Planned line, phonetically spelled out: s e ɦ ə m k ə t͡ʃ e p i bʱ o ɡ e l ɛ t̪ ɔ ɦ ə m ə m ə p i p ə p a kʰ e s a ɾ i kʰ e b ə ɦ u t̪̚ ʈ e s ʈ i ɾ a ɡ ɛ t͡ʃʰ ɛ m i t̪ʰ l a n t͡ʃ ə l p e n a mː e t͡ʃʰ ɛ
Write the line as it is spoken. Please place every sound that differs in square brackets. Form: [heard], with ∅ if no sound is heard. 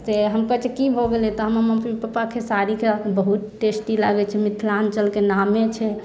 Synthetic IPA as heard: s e ɦ ə m k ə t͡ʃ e [k] i bʱ o ɡ e l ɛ t̪ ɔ ɦ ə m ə m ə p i p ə p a kʰ e s a ɾ i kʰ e b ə ɦ u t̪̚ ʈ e s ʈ i [l] a ɡ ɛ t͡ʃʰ ɛ m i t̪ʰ l a n t͡ʃ ə l [k] e n a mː e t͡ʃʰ ɛ